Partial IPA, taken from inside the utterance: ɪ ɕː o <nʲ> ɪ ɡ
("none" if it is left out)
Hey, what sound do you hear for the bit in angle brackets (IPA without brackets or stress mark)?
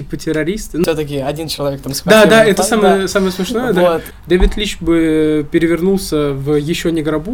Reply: nʲ